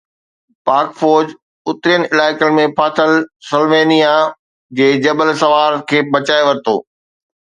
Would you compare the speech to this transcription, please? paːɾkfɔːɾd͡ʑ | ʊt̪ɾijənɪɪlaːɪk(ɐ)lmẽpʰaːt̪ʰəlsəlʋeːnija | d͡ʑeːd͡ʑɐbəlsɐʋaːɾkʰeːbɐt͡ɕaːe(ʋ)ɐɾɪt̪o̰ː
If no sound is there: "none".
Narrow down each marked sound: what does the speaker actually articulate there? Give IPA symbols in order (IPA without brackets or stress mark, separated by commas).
ə, ʋ